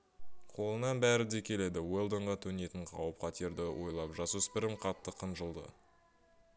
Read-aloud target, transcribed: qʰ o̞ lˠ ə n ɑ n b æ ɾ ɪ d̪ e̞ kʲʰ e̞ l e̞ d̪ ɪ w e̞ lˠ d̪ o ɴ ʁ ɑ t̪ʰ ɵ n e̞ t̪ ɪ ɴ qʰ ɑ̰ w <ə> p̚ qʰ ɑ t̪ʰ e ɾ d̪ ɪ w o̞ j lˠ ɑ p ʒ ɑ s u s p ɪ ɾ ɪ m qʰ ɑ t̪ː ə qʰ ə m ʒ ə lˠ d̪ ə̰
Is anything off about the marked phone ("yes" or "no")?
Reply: no